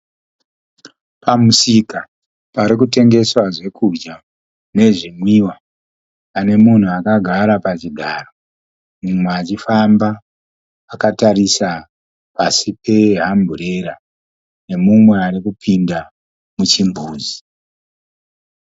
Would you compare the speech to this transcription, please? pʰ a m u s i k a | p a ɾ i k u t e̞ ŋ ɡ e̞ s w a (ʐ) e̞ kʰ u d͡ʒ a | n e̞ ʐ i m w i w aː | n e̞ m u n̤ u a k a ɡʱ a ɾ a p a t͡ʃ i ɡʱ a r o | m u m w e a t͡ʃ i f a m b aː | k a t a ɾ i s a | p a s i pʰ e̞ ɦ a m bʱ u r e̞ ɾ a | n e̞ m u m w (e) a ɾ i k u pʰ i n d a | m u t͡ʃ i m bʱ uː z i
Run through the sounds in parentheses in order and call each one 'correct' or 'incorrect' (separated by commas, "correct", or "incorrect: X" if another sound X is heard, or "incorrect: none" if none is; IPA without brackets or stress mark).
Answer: correct, correct